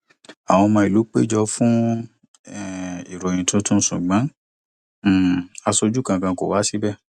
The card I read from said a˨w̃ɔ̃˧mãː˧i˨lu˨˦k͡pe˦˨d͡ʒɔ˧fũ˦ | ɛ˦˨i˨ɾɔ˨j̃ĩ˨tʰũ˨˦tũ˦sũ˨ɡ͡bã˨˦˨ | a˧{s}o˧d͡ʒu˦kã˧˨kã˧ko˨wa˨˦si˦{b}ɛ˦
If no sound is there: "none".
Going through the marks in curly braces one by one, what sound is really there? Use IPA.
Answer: s, b

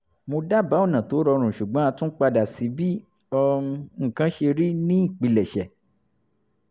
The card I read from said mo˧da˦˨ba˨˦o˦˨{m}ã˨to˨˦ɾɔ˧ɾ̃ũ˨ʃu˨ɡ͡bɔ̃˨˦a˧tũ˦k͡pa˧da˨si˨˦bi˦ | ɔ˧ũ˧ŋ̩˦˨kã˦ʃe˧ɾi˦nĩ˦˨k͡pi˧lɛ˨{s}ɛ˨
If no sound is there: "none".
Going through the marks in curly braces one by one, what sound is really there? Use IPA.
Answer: n, ʃ

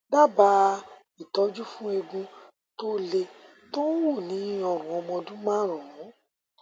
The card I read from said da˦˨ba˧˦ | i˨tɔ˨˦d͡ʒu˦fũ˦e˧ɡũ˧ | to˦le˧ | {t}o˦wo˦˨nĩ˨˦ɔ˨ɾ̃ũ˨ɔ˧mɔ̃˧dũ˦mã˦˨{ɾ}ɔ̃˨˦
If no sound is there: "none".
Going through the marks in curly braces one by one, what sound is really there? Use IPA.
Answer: t, ɾ

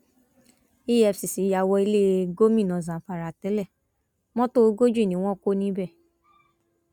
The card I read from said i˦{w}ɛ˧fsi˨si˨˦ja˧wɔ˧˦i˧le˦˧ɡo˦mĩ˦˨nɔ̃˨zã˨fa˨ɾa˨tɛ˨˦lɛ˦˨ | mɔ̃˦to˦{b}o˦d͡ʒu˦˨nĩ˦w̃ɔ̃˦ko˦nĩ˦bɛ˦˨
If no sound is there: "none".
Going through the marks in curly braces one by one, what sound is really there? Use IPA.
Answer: none, ɡ

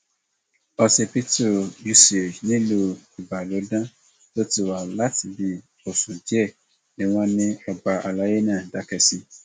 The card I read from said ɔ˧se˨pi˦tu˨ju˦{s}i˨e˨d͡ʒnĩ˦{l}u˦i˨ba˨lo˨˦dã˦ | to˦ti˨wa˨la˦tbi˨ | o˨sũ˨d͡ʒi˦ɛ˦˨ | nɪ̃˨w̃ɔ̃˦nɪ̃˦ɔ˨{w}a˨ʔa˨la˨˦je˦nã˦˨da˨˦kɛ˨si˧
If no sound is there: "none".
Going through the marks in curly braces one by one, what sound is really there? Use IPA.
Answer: s, l, b

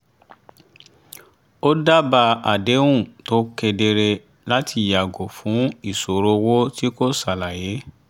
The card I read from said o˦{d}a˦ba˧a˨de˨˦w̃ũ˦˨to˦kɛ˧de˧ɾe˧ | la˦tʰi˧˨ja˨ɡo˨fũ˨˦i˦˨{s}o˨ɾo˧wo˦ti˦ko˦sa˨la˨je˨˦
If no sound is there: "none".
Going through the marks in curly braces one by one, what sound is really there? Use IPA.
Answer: d, s

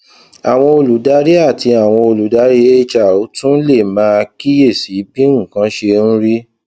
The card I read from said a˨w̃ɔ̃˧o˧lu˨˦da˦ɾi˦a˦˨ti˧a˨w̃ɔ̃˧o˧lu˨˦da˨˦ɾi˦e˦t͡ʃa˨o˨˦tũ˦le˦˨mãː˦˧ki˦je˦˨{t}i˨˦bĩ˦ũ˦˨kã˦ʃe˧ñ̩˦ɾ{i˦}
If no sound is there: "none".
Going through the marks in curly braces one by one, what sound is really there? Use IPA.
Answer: s, i˦

